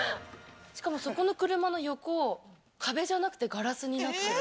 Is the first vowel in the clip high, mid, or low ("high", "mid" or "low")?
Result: high